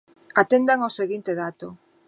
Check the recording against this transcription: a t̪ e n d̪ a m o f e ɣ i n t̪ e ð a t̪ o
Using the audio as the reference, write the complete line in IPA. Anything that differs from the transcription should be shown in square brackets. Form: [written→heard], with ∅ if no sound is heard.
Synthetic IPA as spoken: a t̪ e n d̪ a [m→ŋ] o [f→s] e ɣ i n t̪ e ð a t̪ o